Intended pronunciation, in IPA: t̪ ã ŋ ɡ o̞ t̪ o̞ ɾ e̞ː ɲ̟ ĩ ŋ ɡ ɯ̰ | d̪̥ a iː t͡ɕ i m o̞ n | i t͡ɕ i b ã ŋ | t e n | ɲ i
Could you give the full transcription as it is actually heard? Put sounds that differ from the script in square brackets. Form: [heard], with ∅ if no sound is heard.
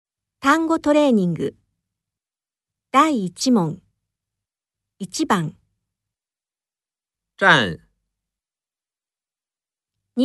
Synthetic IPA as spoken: t̪ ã ŋ ɡ o̞ t̪ o̞ ɾ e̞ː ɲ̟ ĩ ŋ ɡ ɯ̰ | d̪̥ a iː t͡ɕ i m [õ̞] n | i t͡ɕ i b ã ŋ | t [a] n | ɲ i